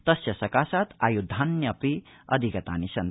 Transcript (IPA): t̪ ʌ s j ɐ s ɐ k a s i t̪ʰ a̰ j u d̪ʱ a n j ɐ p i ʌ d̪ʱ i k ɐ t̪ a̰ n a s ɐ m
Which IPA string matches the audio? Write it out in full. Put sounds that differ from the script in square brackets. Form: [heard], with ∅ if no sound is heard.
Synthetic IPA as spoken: t̪ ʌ s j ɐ s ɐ k a s [a] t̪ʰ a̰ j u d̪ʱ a n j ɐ p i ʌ d̪ʱ i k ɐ t̪ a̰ n [i] s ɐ [n]